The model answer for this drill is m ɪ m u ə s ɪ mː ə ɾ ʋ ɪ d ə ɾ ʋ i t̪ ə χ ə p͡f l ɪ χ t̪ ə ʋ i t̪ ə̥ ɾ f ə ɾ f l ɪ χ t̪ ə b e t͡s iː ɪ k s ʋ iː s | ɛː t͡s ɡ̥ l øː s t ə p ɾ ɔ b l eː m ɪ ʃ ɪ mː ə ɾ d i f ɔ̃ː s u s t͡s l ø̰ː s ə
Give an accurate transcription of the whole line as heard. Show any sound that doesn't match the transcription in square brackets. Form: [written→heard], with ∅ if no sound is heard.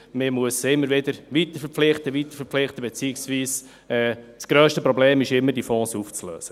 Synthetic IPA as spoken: m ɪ m u ə s ɪ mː ə ɾ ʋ ɪ d ə ɾ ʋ i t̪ ə [χ→f] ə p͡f l ɪ χ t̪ ə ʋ i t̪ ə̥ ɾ f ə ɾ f l ɪ χ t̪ ə b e t͡s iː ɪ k s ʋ iː s | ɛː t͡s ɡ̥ [l→ɾ] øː [s→ʃ] t ə p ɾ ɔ b l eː m ɪ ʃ ɪ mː ə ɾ d i f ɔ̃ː s u [s→f] t͡s l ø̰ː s ə